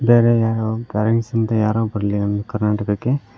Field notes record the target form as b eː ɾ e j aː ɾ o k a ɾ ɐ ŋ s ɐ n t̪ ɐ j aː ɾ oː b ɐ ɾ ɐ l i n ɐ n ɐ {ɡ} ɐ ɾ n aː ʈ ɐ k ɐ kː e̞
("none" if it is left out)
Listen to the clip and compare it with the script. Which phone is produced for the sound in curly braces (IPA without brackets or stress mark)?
k